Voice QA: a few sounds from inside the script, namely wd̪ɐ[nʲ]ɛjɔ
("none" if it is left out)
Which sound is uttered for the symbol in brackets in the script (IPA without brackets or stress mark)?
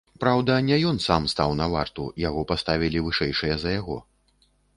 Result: nʲ